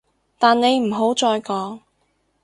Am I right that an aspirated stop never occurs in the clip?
yes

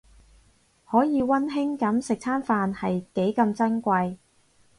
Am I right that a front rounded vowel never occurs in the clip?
yes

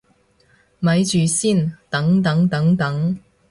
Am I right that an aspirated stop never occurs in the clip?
yes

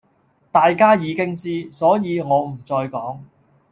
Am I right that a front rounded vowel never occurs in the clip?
yes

